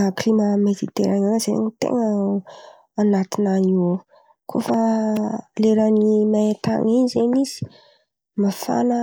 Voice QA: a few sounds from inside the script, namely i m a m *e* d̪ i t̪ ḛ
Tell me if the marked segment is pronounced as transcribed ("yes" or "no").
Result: yes